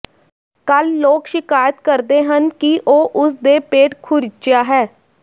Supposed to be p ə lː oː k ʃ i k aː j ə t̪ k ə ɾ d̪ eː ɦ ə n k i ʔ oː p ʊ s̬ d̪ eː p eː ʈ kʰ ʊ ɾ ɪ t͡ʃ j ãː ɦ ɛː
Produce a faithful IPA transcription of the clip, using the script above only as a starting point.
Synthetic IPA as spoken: k ə lː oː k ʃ ɪ k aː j ə t̪ k ə ɾ d̪ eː ɦ ə n k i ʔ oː ʔ ʊ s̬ d̪ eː p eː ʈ kʰ ʊ ɾ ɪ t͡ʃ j aː ɦ ɛː